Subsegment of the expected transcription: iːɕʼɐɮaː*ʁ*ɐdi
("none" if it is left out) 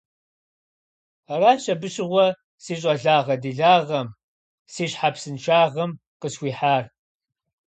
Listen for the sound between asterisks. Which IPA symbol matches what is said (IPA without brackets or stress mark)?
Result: ʁ